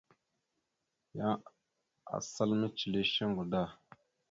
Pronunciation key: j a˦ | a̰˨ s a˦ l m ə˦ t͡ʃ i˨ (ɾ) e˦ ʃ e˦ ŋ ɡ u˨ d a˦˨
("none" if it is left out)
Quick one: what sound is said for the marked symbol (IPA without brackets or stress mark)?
l